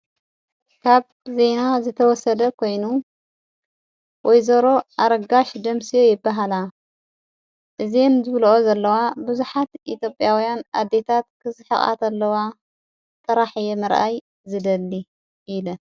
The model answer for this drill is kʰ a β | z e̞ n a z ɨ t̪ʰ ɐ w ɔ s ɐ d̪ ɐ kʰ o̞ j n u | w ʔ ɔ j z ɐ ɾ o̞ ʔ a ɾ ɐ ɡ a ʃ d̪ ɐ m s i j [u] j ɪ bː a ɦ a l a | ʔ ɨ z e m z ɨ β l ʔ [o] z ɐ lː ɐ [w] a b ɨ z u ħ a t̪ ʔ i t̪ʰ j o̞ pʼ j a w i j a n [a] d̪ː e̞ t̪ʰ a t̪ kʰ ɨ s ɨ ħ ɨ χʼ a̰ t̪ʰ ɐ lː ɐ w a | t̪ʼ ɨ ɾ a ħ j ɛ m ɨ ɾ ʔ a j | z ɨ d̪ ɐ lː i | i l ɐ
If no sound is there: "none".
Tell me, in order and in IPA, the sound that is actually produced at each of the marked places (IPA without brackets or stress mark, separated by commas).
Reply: o, o, w, a